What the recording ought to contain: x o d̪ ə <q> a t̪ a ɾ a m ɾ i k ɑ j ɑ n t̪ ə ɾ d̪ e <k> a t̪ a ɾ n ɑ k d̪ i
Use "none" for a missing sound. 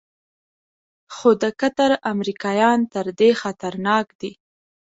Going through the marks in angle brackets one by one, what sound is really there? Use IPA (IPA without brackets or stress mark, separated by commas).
k, x